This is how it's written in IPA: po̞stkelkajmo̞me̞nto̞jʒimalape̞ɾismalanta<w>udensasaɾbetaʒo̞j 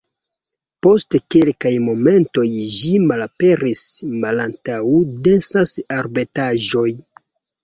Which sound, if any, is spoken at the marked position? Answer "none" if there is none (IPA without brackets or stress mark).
w